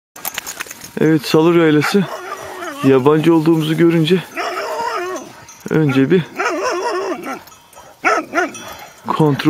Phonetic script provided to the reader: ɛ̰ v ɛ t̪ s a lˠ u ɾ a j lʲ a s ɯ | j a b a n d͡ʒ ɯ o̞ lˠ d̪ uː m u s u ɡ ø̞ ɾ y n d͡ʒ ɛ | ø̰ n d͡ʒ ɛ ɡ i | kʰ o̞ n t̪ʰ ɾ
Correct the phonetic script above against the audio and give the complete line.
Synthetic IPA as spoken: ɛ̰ v ɛ t̪ s a lˠ u ɾ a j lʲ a s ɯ | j a b a n d͡ʒ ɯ o̞ lˠ d̪ uː m u z u ɟ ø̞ ɾ y n d͡ʒ ɛ | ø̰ n d͡ʒ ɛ b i | kʰ o̞ n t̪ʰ ɾ